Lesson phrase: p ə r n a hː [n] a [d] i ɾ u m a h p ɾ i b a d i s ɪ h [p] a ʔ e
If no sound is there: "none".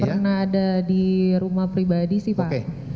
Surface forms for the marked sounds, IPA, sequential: d, d, p

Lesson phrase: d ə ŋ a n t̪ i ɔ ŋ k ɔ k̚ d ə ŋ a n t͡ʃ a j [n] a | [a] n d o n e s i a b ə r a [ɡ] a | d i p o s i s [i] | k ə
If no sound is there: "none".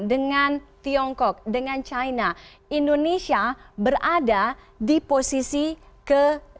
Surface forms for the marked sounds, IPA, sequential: n, i, d, i

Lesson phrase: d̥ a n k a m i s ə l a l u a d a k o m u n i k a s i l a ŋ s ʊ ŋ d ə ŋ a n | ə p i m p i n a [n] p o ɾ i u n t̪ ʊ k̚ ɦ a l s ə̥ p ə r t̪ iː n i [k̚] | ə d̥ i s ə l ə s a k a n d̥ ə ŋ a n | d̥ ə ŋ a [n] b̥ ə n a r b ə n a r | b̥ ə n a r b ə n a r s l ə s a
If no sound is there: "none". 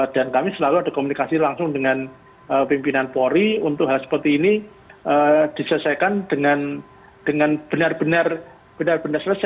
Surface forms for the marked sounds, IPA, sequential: n, none, n

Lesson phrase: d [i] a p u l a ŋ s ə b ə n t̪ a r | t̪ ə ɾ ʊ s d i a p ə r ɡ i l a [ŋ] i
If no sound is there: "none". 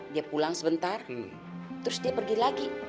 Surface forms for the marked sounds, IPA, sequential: i, ɡ

